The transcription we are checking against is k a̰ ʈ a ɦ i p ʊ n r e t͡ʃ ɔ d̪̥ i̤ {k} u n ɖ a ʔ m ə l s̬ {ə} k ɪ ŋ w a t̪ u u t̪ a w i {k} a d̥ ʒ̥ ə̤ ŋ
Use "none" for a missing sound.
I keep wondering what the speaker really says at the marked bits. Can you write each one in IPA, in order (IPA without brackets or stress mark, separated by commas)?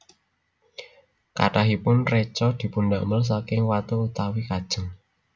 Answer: p, a, k